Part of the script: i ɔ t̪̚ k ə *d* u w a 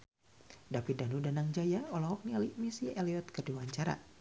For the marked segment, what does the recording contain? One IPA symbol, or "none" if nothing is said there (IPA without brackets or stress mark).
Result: d